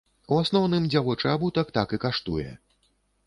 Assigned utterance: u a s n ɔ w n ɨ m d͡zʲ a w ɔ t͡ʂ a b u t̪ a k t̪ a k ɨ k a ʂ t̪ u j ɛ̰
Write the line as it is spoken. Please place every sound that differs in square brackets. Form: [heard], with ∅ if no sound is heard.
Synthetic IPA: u a s n ɔ w n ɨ m d͡zʲ a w ɔ t͡ʂ a b u t̪ a k t̪ a k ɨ k a ʂ t̪ u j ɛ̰